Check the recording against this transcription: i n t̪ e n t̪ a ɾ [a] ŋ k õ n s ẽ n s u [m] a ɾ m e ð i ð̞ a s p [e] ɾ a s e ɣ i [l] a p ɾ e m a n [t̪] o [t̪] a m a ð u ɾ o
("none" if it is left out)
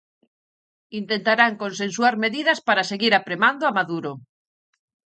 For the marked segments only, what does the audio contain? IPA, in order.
a, none, a, ɾ, d̪, none

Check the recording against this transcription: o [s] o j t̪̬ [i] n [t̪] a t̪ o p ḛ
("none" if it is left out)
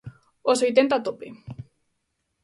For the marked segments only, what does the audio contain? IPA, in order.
s, e, t̪

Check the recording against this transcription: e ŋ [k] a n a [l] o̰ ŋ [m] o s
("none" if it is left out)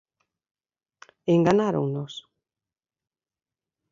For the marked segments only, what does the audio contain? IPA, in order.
ɡ, ɾ, n

